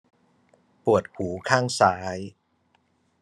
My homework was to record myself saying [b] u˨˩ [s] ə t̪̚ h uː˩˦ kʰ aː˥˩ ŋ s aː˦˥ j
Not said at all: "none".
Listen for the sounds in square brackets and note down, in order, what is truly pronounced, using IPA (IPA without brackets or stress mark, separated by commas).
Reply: p, none